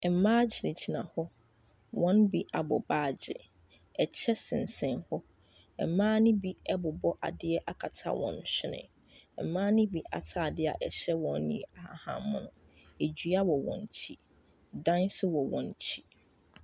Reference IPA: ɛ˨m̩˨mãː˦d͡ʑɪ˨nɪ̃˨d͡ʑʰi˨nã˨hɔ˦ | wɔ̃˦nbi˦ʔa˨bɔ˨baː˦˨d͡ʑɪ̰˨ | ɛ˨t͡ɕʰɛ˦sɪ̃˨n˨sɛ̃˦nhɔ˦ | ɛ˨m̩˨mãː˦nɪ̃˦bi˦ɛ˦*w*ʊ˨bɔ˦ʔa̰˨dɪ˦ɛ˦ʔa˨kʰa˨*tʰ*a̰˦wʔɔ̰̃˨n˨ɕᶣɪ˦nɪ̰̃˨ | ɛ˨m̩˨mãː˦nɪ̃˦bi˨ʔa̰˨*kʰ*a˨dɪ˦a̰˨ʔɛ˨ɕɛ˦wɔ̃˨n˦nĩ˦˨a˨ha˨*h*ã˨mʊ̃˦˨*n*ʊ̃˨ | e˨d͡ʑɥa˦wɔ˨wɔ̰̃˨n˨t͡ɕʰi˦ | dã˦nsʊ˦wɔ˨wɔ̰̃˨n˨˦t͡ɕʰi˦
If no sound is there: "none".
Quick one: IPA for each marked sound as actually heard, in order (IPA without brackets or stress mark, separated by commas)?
b, tʰ, tʰ, h, n